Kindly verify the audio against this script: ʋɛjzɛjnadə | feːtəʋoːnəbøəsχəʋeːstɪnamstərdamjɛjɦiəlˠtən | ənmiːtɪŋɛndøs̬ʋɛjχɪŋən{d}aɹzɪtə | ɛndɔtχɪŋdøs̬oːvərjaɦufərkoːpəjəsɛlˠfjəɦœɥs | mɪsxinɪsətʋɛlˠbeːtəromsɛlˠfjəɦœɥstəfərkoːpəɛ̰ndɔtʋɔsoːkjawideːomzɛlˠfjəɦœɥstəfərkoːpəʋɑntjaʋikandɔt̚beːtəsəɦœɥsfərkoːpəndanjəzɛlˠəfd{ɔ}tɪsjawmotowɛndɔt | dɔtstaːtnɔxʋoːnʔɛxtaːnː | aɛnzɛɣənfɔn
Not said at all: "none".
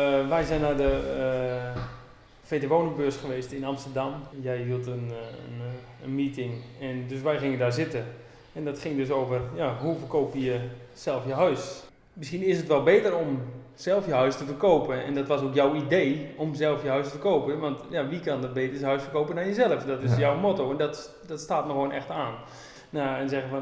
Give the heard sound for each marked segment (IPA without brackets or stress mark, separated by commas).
d, ɔ